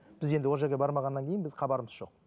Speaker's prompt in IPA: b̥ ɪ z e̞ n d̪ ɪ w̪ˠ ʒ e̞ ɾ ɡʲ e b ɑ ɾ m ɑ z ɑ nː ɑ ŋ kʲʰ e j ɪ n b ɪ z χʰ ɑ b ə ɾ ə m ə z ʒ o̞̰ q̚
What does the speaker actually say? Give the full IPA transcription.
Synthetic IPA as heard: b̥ ɪ z e̞ n d̪ ɪ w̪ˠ ʒ e̞ ɾ ɡʲ e b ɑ ɾ m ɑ ʁ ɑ nː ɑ ŋ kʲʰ e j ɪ n b ɪ z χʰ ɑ b ɑ ɾ ə m ə z ʒ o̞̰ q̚